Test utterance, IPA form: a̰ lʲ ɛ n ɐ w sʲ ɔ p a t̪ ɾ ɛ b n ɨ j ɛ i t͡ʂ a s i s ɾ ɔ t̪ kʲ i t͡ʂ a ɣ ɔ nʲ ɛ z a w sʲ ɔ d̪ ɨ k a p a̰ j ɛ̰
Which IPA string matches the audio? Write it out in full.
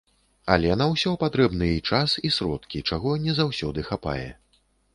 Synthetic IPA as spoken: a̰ lʲ ɛ n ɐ w sʲ ɔ p a t̪ ɾ ɛ b n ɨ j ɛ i t͡ʂ a s i s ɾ ɔ t̪ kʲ i t͡ʂ a ɣ ɔ nʲ ɛ z a w sʲ ɔ d̪ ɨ x a p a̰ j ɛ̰